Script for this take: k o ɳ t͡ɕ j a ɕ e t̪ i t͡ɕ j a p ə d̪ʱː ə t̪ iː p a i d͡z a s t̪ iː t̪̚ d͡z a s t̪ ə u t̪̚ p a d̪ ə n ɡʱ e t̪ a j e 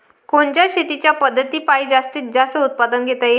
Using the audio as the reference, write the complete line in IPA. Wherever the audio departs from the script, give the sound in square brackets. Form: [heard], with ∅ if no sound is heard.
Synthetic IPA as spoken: k o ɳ t͡ɕ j a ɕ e t̪ i t͡ɕ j a p ə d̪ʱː ə t̪ iː p a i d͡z a s t̪ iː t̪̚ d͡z a s t̪ ə u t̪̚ p a d̪ ə n ɡʱ e t̪ a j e